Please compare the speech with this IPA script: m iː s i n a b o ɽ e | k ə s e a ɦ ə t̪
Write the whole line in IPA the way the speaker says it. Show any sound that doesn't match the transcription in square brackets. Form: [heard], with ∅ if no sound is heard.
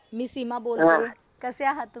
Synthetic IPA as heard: m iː s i [m] a b o [l] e | k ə s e a ɦ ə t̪